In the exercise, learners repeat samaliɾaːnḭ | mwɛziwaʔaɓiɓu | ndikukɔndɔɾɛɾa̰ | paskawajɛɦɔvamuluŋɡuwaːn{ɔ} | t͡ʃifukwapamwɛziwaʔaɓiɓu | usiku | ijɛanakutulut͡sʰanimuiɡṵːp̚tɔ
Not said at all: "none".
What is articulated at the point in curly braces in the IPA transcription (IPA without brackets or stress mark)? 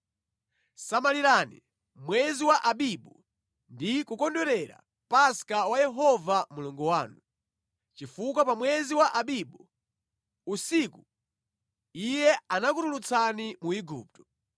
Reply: u